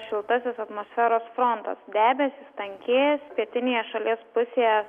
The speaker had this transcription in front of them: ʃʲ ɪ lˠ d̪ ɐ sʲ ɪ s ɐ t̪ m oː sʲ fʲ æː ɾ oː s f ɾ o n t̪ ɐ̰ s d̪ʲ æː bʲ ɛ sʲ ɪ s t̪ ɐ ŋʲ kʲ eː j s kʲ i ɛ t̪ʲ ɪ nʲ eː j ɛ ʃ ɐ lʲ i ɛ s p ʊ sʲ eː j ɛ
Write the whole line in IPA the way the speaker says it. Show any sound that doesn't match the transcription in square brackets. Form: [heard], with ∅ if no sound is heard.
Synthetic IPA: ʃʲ ɪ lˠ [t̪] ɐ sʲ ɪ s ɐ t̪ m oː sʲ fʲ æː ɾ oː s f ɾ o n t̪ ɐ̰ s d̪ʲ æː bʲ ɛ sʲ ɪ s t̪ ɐ ŋʲ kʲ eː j s [pʲ] i ɛ t̪ʲ ɪ nʲ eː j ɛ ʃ ɐ lʲ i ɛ s p ʊ sʲ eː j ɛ